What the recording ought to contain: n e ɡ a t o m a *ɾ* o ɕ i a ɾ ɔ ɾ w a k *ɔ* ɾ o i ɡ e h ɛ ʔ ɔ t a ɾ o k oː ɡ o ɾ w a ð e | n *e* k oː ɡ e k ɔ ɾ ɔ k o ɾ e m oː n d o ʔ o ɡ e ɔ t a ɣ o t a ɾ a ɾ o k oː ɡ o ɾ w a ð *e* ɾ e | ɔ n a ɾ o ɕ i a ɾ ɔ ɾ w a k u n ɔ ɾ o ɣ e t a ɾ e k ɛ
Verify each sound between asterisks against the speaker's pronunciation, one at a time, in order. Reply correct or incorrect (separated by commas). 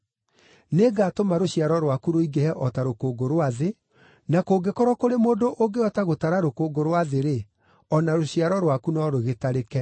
correct, incorrect, incorrect, correct